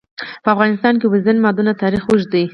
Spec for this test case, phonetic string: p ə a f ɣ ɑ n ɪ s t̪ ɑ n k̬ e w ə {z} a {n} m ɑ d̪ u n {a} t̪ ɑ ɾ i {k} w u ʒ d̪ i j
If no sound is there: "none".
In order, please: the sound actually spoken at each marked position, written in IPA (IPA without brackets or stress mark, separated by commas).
z, n, a, x